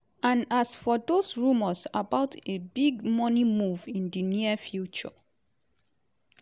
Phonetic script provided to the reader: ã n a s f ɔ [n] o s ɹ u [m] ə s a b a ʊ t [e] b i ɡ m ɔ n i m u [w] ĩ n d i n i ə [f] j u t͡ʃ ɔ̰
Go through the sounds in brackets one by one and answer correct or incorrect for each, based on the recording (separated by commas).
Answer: incorrect, correct, correct, incorrect, correct